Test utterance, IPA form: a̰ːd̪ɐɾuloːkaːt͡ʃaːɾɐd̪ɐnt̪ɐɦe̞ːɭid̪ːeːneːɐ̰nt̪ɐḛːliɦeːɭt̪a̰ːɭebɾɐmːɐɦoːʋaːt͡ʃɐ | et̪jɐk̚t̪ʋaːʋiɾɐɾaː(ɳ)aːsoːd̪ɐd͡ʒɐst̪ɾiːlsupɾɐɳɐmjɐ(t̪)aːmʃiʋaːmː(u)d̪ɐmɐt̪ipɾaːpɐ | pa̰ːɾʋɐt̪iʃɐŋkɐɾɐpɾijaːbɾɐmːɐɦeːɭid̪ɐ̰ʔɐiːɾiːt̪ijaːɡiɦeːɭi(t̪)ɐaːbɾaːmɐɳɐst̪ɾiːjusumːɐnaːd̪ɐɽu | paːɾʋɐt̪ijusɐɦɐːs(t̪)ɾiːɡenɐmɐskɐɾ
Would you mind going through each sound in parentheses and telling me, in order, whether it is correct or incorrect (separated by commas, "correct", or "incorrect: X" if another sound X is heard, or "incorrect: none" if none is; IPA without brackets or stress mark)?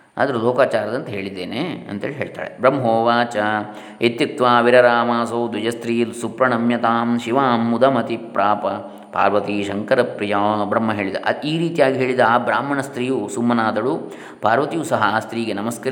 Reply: incorrect: m, correct, correct, incorrect: d̪, correct